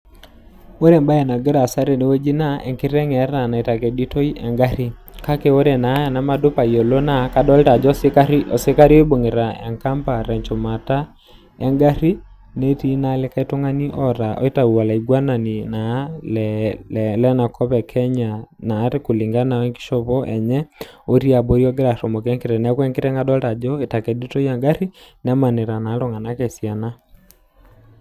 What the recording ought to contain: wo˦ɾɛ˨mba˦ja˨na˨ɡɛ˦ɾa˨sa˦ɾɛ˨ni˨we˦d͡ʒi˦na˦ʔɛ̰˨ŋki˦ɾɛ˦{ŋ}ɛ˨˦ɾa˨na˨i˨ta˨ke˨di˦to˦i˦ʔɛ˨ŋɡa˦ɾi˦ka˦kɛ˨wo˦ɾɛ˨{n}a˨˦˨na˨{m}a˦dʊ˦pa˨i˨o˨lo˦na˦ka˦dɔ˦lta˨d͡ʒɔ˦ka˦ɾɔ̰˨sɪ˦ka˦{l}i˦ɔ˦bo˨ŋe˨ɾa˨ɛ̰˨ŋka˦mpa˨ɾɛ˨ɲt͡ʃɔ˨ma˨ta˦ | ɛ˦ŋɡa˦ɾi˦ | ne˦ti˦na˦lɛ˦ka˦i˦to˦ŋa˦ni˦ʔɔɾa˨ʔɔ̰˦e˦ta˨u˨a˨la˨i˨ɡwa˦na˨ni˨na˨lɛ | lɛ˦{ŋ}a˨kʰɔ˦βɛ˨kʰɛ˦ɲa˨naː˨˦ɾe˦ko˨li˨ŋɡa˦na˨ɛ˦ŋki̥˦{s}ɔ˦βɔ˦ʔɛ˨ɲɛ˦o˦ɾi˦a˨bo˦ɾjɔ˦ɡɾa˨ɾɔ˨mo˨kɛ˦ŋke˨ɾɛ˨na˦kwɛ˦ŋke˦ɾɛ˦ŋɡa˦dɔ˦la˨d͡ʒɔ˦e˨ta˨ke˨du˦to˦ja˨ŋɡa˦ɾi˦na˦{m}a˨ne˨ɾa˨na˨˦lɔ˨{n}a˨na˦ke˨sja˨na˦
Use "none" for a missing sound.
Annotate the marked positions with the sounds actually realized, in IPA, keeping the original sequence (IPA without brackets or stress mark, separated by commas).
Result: ŋ, n, m, ɾ, n, ʃ, m, ŋ